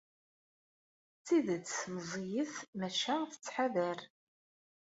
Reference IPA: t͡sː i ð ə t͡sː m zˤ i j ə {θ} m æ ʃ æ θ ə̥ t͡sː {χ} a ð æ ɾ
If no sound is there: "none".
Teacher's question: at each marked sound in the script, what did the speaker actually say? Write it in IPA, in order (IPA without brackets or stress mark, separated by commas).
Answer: θ, ħ